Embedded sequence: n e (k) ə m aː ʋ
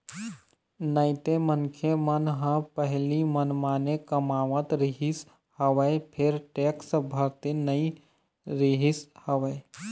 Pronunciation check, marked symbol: correct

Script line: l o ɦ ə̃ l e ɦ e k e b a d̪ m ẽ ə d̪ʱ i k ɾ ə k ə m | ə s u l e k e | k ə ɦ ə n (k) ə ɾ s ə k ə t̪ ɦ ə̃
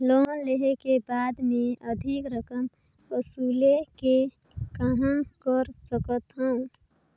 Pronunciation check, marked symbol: correct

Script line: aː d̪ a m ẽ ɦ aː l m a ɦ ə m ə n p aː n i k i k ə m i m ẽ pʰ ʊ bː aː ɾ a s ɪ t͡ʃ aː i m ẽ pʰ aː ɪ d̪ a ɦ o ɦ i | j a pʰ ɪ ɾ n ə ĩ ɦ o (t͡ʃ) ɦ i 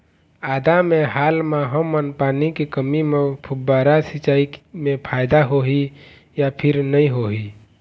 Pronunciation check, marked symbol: incorrect: none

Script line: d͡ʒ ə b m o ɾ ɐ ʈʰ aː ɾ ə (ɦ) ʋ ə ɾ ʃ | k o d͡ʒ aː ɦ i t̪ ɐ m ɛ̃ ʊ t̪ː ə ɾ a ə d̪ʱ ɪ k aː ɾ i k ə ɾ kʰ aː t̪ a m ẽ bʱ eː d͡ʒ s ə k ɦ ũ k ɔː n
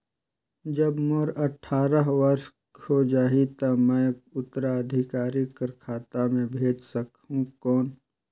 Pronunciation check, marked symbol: correct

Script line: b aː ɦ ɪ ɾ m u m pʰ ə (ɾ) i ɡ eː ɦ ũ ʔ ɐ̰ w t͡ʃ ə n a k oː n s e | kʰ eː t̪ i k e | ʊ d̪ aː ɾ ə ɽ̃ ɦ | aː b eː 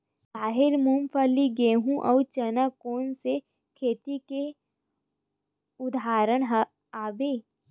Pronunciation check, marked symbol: incorrect: l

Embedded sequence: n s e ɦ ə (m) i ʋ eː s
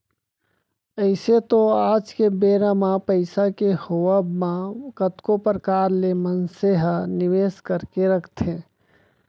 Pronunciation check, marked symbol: incorrect: n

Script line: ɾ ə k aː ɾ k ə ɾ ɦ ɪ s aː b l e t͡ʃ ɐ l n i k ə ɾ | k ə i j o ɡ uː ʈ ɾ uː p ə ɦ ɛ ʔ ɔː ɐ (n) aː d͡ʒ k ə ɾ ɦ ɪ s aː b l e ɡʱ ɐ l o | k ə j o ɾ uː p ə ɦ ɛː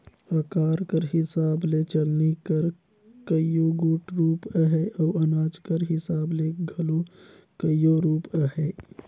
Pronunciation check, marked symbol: correct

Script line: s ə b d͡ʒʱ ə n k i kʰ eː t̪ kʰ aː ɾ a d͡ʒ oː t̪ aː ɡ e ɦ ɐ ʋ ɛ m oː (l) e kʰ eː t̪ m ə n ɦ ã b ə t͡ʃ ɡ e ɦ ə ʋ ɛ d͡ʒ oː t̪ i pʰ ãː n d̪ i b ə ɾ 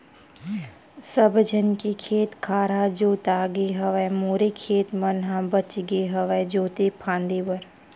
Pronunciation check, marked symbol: incorrect: ɾ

